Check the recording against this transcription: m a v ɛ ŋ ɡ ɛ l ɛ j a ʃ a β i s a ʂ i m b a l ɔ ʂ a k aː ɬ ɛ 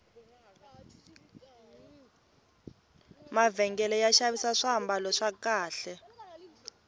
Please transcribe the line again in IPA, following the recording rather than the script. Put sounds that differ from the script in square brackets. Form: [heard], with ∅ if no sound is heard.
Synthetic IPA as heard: m a v ɛ ŋ ɡ ɛ l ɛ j a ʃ a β i s a ʂ [a] m b a l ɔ ʂ a k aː ɬ ɛ

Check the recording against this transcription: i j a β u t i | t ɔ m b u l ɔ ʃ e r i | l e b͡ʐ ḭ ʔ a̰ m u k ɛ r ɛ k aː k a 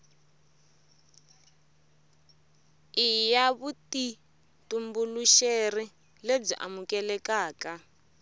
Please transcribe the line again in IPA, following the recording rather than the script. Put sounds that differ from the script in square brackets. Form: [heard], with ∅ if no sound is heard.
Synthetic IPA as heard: i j a β u t i | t [u] m b u l [u] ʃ e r i | l e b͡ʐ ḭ ʔ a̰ m u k ɛ [l] ɛ k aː k a

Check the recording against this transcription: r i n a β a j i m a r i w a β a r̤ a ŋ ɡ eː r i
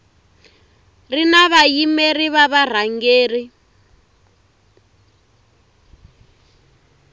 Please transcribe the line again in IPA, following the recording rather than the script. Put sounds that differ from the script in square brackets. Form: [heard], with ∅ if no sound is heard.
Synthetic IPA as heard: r i n a β a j i m [e] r i [β] a β a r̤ a ŋ ɡ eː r i

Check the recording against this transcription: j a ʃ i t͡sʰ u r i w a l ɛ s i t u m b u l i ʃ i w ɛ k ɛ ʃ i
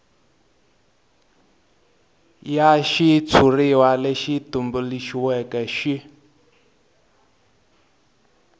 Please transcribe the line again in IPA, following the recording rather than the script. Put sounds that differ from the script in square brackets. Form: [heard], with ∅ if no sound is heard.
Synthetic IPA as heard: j a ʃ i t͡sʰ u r i w a l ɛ [ʃ] i t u m b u l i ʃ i w ɛ k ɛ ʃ i

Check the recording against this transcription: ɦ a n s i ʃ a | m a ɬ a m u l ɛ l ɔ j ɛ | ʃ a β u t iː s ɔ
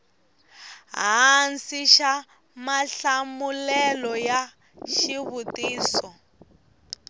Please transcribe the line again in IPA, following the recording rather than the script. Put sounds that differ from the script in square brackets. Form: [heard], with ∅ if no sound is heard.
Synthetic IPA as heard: ɦ a n s i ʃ a | m a ɬ a m u l ɛ l ɔ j [a] | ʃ [i] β u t iː s ɔ

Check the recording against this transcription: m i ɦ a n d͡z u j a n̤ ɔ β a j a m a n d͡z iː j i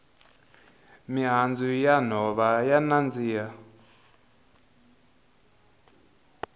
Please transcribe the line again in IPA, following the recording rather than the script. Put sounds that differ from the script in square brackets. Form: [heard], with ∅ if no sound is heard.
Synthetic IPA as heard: m i ɦ a n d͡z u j a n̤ ɔ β a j a [n] a n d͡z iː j [a]

